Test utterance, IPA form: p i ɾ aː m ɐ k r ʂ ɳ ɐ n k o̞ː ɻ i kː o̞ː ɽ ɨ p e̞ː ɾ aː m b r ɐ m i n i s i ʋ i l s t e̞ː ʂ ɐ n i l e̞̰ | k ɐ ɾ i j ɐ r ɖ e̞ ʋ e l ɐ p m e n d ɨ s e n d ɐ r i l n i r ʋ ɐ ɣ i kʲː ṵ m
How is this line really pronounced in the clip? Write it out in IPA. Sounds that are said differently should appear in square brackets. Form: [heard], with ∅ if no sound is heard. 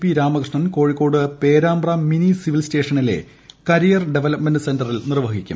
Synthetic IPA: p i ɾ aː m ɐ k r ʂ ɳ ɐ n k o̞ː ɻ i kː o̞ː ɽ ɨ p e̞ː ɾ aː m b r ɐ m i n i s i ʋ i l s t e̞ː ʂ ɐ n i l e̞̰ | k ɐ ɾ i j ɐ r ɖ e̞ ʋ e l ɐ p m e n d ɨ s e n d ɐ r i l n i r ʋ ɐ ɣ i kʲː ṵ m